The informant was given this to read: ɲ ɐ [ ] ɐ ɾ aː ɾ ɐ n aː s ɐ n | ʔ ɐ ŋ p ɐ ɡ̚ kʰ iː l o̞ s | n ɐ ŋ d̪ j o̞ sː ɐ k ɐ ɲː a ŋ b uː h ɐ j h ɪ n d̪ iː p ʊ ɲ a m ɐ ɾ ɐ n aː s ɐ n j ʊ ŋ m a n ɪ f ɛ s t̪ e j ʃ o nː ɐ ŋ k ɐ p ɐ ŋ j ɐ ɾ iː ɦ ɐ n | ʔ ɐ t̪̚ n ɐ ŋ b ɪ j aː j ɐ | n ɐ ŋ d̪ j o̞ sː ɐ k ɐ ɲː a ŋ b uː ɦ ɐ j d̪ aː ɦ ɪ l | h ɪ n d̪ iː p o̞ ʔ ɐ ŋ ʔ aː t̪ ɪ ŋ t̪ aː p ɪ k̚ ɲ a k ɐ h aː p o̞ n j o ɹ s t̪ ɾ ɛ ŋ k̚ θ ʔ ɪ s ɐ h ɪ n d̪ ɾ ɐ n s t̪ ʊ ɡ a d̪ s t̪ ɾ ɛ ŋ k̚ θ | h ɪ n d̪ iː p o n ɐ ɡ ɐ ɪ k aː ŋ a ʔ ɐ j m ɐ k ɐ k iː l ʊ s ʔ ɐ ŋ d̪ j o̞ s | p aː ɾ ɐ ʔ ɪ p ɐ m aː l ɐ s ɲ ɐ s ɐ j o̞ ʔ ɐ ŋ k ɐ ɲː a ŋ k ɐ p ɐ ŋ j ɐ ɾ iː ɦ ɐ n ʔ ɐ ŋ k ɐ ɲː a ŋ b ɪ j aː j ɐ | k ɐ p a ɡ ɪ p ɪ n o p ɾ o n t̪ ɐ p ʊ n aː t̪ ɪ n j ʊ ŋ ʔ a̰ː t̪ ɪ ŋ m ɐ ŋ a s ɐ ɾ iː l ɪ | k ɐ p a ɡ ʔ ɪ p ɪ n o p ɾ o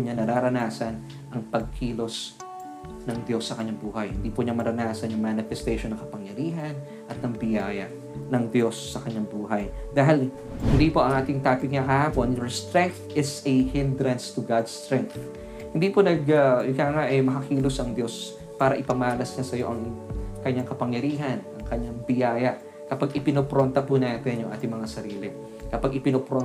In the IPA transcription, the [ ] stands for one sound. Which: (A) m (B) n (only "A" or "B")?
B